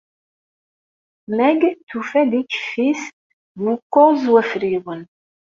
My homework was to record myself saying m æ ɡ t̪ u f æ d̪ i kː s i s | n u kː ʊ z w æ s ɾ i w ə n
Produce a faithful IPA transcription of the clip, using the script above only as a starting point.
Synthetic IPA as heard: m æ ɡ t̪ u f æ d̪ i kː f i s | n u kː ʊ z w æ f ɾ i w ə n